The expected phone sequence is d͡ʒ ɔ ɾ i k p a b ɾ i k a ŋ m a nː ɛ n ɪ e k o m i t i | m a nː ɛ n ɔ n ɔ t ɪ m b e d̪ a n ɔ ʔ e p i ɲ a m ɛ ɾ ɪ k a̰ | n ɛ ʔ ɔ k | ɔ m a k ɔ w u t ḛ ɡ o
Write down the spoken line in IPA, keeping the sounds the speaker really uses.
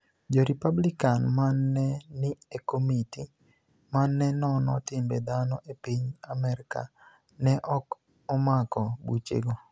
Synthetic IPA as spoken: d͡ʒ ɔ ɾ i p a b l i k a n m a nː ɛ n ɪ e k o m i t i | m a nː ɛ n ɔ n ɔ t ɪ m b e d̪ a n ɔ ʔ e p i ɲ a m ɛ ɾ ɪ k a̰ | n ɛ ʔ ɔ k | ɔ m a k ɔ b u t͡ʃ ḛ ɡ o

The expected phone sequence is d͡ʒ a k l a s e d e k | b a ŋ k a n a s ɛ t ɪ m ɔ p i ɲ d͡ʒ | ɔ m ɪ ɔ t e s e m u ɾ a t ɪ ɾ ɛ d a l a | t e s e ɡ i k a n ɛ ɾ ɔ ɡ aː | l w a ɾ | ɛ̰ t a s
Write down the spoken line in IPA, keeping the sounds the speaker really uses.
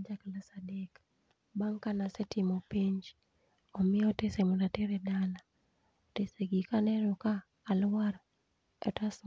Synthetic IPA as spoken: d͡ʒ a k l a s a d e k | b a ŋ k a n a s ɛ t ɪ m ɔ p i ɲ d͡ʒ | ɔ m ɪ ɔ t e s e m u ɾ a t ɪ ɾ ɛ d a l a | t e s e ɡ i k a n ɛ ɾ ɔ k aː | l w a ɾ | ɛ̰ t a s

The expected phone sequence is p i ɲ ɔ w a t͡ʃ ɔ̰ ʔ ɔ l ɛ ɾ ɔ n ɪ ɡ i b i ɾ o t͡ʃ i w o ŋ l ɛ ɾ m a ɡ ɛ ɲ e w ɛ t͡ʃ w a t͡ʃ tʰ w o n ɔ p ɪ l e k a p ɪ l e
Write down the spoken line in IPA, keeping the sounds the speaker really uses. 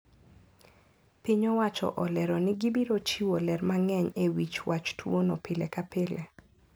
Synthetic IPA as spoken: p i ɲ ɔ w a t͡ʃ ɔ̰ ʔ ɔ l ɛ ɾ ɔ n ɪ ɡ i b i ɾ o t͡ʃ i w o l ɛ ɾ m a ŋ ɛ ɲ e w i t͡ʃ w a t͡ʃ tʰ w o n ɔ p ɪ l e k a p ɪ l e

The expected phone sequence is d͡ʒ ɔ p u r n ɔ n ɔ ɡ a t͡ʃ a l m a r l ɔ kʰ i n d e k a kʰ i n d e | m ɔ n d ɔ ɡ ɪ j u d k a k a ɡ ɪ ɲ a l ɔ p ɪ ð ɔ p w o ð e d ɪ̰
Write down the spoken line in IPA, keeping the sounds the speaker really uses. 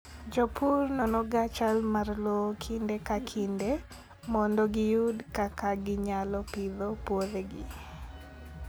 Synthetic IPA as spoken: d͡ʒ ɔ p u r n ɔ n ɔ ɡ a t͡ʃ a l m a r l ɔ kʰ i n d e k a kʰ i n d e | m ɔ n d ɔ ɡ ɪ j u d k a k a ɡ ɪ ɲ a l ɔ p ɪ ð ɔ p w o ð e ɡ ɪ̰

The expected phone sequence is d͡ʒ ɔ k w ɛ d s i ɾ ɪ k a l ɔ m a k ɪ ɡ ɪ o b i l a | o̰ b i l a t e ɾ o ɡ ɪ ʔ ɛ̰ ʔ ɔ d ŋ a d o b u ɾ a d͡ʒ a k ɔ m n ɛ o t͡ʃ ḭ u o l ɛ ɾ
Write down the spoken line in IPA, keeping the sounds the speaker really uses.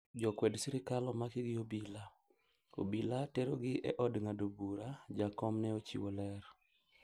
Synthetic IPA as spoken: d͡ʒ ɔ k w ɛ d s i ɾ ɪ k a l ɔ m a k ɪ ɡ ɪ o b i l a | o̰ b i l a t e ɾ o ɡ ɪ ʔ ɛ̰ ʔ ɔ d ŋ a d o b u ɾ a d͡ʒ a k ɔ m n ɛ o t͡ʃ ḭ w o l ɛ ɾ

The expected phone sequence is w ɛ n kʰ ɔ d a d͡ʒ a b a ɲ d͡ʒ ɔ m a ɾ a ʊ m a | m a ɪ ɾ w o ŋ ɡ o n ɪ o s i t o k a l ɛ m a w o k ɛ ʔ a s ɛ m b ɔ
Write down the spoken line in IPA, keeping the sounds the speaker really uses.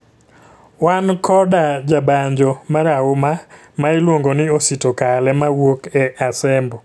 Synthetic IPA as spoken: w a n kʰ ɔ d a d͡ʒ a b a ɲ d͡ʒ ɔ m a ɾ a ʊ m a | m a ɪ l w o ŋ ɡ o n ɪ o s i t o k a l ɛ m a w o k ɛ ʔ a s ɛ m b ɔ

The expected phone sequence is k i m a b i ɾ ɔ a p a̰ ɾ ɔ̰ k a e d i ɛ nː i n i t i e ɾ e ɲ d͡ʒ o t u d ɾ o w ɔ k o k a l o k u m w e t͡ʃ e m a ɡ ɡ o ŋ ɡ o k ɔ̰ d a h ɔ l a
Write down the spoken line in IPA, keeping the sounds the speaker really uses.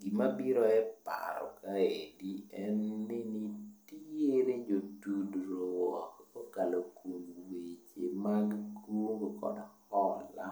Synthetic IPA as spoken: ɡ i m a b i ɾ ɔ ɛ p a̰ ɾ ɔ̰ k a e d i ɛ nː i n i t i e ɾ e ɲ d͡ʒ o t u d ɾ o w ɔ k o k a l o k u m w e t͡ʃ e m a ɡ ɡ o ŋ ɡ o k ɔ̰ d a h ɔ l a

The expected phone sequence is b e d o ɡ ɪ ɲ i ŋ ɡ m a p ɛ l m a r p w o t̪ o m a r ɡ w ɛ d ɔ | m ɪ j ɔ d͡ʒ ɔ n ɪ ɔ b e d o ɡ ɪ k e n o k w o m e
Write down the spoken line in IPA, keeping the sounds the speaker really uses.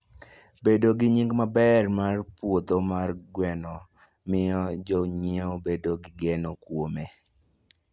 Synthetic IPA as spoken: b e d o ɡ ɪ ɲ i ŋ ɡ m a b ɛ r m a r p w o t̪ o m a r ɡ w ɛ n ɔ | m ɪ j ɔ d͡ʒ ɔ ɲ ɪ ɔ b e d o ɡ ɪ ɡ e n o k w o m e

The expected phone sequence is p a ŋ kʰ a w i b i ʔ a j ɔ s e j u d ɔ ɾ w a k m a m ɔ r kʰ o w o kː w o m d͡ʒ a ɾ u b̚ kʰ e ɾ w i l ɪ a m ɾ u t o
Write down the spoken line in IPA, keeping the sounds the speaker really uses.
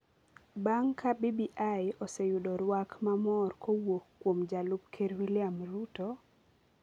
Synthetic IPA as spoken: b a ŋ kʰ a b i b i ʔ a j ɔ s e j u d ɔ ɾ w a k m a m ɔ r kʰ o w o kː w o m d͡ʒ a l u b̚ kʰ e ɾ w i l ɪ a m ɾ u t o

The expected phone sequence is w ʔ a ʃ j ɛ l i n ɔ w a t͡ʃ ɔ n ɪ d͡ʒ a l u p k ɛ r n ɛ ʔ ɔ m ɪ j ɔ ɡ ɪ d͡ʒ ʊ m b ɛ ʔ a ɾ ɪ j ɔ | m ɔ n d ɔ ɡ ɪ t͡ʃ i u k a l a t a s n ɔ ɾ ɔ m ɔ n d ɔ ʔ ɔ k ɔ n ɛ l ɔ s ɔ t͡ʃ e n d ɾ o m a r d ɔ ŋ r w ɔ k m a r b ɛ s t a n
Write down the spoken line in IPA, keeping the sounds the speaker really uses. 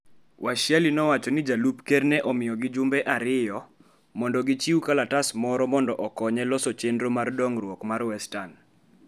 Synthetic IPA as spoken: w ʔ a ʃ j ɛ l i n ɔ w a t͡ʃ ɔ n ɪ d͡ʒ a l u p k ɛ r n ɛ ʔ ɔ m ɪ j ɔ ɡ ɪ d͡ʒ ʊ m b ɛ ʔ a ɾ ɪ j ɔ | m ɔ n d ɔ ɡ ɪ t͡ʃ i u k a l a t a s m ɔ ɾ ɔ m ɔ n d ɔ ʔ ɔ k ɔ ɲ ɛ l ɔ s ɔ t͡ʃ e n d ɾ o m a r d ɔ ŋ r w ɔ k m a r w ɛ s t a n

